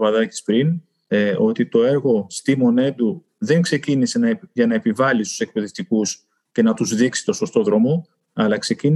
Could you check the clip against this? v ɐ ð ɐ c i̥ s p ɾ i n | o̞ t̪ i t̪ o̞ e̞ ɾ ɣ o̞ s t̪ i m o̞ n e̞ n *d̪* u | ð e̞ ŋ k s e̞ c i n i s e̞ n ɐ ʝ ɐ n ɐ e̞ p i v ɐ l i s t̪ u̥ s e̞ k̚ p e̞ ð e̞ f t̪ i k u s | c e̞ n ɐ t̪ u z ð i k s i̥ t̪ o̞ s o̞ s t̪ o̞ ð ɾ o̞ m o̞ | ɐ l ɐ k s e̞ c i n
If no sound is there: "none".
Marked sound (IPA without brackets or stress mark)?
d̪